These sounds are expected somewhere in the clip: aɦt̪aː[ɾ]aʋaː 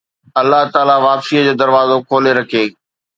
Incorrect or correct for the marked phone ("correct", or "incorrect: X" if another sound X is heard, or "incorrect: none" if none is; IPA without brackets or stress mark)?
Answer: incorrect: l